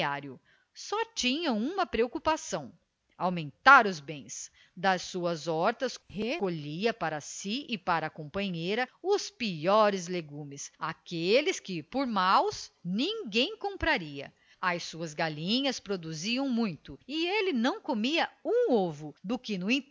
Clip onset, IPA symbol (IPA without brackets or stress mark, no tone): a